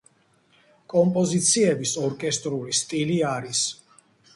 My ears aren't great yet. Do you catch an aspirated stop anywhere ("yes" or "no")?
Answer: no